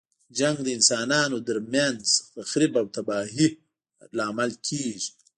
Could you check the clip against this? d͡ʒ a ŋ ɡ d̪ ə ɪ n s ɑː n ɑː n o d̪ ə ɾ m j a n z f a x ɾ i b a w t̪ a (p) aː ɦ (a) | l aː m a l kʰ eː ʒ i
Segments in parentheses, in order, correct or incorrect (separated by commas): incorrect, incorrect